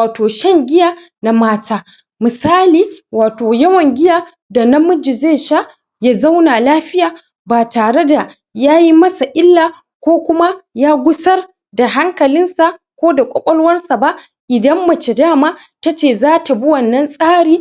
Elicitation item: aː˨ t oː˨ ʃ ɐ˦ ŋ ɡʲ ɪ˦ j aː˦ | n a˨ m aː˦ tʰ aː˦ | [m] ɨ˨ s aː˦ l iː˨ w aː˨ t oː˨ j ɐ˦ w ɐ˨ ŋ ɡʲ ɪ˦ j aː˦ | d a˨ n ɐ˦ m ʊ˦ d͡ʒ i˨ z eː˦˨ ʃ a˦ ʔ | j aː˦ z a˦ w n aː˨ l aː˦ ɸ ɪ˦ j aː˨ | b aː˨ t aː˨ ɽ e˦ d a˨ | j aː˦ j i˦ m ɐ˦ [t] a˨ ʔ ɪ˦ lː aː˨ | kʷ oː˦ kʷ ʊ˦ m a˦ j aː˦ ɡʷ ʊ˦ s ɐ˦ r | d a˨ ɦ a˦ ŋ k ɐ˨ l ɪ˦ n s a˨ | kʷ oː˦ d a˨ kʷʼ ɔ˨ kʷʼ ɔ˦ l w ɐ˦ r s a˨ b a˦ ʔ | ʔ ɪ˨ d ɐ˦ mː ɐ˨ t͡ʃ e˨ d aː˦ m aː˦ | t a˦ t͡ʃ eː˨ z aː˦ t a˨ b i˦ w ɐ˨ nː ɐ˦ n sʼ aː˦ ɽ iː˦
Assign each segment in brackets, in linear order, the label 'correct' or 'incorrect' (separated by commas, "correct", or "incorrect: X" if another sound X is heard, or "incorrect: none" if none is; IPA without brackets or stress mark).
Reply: correct, incorrect: s